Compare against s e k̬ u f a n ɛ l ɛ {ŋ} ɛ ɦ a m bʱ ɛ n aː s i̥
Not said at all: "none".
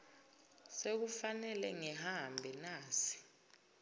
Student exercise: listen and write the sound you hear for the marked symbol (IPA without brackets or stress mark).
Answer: ŋ